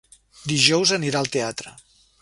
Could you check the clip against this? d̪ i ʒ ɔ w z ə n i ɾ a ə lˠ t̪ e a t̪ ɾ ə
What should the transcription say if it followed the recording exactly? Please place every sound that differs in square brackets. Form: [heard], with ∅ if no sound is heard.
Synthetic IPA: d̪ i ʒ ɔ w z ə n i ɾ a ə lˠ t̪ e a t̪ ɾ ə